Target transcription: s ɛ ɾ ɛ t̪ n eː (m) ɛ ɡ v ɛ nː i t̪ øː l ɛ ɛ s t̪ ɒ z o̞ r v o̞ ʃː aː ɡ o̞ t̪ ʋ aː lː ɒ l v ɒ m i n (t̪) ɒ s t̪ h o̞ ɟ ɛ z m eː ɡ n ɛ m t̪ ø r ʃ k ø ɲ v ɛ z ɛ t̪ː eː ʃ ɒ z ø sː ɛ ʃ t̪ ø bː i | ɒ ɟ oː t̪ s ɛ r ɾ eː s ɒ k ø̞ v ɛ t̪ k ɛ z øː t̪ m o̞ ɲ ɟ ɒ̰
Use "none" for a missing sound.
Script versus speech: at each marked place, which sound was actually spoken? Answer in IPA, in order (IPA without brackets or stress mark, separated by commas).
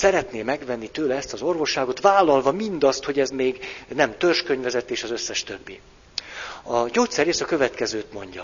m, d̪